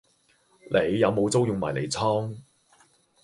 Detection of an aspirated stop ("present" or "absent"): present